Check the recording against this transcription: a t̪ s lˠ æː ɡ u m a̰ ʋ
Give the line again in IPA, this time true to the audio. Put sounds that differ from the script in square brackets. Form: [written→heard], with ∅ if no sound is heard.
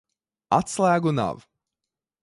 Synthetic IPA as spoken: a t̪ s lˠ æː ɡ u [m→n] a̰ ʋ

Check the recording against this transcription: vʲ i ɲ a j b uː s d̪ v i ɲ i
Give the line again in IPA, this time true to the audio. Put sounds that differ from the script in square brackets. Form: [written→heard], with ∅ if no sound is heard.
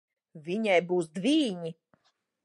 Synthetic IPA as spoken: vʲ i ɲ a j b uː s d̪ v [i→iː] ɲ i

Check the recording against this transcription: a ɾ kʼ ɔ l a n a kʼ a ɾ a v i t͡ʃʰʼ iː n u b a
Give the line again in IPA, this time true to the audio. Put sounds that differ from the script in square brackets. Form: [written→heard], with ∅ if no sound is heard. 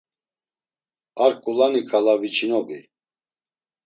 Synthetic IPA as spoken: a ɾ kʼ [ɔ→u] l a n [a→i] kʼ a [ɾ→l] a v i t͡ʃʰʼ [iː→i] n [u→ɔ] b [a→i]

